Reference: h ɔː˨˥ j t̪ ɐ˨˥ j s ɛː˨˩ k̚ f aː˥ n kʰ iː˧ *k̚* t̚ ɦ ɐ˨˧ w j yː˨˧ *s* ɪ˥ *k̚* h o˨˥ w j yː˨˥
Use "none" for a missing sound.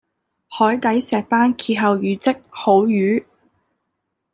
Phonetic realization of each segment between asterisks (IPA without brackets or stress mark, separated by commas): none, t͡s, k̚